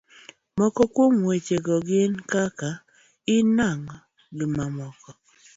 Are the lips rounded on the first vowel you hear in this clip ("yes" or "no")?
yes